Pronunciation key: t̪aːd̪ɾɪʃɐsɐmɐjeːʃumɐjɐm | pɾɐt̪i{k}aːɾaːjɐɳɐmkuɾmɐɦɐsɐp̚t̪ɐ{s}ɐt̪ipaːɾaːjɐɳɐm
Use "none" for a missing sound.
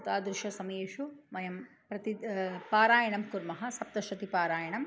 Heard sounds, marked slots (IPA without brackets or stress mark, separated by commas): p, ʃ